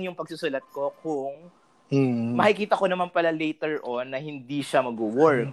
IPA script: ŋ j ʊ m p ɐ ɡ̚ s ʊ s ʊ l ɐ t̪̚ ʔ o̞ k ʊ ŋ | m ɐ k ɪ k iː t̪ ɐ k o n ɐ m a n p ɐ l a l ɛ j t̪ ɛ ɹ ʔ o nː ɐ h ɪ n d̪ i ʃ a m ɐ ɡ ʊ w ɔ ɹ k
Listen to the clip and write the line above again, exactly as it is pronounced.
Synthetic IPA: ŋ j ʊ ŋ p ɐ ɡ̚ s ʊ s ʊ l ɐ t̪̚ k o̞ k ʊ ŋ | m ɐ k ɪ k iː t̪ ɐ k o n ɐ m a n p ɐ l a l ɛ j t̪ ɛ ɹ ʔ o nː ɐ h ɪ n d̪ i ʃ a m ɐ ɡ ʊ w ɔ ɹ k